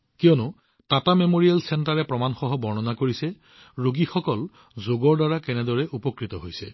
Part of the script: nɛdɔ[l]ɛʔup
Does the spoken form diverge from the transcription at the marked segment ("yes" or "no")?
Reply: yes